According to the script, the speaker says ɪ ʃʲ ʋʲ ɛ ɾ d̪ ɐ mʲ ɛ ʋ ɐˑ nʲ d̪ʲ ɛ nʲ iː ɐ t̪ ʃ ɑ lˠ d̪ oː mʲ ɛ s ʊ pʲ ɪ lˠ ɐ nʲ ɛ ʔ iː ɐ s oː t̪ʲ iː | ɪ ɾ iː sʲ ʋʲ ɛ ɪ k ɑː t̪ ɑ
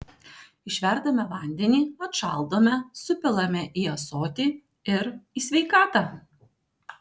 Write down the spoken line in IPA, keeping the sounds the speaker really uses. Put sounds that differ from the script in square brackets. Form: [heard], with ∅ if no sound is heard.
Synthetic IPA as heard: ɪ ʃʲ ʋʲ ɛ ɾ d̪ ɐ mʲ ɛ ʋ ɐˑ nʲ d̪ʲ ɛ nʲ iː ɐ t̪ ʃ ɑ lˠ d̪ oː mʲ ɛ s ʊ pʲ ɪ lˠ ɐ [mʲ] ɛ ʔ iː ɐ s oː t̪ʲ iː | ɪ ɾ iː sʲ ʋʲ ɛ ɪ k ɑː t̪ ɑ